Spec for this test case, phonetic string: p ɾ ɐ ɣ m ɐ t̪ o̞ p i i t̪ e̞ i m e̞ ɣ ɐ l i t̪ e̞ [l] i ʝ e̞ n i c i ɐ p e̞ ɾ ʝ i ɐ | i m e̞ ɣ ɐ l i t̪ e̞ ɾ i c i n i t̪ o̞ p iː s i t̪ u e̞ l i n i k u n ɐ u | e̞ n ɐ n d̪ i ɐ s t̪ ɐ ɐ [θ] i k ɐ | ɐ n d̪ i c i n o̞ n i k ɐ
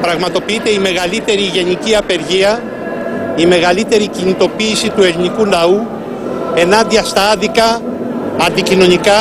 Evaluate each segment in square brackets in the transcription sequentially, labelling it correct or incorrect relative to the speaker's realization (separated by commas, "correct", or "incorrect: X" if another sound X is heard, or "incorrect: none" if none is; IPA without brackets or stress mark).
incorrect: ɾ, incorrect: ð